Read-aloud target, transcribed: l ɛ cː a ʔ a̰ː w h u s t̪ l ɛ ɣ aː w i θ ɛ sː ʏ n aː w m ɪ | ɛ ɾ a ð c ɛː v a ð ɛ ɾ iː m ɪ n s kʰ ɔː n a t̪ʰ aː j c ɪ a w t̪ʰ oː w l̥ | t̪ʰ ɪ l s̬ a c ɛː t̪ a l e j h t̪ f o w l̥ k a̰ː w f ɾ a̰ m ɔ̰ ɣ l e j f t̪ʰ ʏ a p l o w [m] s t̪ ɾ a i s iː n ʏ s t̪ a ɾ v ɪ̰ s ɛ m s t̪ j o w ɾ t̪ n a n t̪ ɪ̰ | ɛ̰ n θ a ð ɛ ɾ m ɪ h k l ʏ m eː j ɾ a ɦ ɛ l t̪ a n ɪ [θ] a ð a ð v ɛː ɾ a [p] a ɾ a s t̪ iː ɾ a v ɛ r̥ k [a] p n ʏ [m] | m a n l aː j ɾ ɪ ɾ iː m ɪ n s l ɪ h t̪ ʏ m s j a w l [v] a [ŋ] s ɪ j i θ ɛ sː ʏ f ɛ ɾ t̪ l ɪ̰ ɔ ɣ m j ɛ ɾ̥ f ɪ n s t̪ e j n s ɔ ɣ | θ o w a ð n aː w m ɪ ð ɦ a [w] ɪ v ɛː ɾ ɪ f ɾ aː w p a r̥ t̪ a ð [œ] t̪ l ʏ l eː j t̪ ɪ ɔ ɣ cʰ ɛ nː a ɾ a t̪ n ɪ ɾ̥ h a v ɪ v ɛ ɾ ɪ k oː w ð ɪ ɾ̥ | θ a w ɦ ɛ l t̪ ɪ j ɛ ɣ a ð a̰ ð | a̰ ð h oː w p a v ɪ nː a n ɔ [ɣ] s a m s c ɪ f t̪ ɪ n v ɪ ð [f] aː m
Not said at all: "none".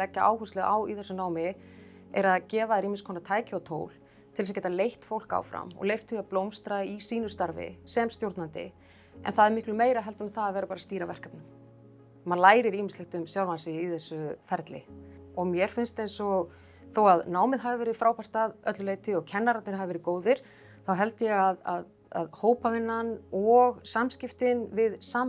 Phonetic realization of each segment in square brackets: m, θ, p, a, m, v, n, v, œ, ɣ, s

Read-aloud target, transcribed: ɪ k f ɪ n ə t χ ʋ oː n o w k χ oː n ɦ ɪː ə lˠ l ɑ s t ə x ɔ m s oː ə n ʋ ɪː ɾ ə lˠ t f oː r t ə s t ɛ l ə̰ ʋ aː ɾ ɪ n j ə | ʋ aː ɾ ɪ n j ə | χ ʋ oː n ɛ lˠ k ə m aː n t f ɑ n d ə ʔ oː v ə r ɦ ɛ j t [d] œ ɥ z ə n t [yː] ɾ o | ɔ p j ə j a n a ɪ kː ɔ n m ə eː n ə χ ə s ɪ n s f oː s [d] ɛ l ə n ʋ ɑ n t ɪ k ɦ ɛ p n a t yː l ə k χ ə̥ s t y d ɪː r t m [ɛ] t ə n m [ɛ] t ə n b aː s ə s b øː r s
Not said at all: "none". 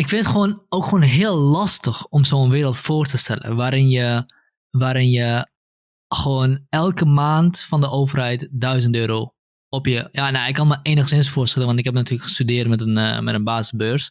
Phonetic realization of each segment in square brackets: d, øː, t, ɛ, ɛ

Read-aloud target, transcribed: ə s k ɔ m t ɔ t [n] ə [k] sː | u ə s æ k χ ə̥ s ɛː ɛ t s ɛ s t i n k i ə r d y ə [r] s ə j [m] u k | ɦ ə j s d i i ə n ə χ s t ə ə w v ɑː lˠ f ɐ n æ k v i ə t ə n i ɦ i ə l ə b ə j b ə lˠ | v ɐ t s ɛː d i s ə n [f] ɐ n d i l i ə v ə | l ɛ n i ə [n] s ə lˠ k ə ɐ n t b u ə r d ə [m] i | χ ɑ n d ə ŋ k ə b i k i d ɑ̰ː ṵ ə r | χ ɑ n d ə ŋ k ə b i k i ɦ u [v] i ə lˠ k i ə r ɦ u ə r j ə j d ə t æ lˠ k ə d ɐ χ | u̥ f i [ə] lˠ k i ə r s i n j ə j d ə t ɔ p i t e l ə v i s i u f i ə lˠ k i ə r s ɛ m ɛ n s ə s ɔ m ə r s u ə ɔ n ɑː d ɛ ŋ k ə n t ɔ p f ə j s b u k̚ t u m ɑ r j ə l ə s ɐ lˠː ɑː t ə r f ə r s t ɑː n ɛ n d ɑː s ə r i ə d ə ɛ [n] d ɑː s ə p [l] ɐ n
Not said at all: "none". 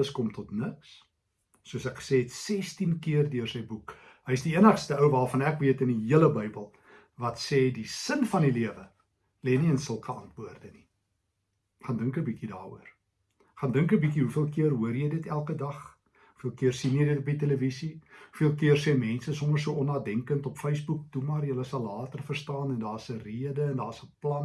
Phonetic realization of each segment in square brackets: n, k, r, b, f, n, n, f, ə, n, l

